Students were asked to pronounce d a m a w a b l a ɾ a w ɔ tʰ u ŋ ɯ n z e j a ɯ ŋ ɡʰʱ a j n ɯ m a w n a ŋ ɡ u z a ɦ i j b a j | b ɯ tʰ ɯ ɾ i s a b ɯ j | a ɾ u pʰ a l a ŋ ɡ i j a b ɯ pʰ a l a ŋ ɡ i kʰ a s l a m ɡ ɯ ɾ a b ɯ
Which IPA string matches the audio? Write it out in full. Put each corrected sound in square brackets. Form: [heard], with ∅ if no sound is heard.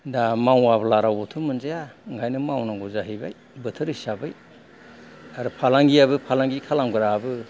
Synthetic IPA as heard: d a m a w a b l a ɾ a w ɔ tʰ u [m] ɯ n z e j a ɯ ŋ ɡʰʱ a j n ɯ m a w n a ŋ ɡ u z a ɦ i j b a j | b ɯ tʰ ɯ ɾ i s a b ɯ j | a ɾ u pʰ a l a ŋ ɡ i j a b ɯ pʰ a l a ŋ ɡ i kʰ a [∅] l a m ɡ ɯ ɾ a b ɯ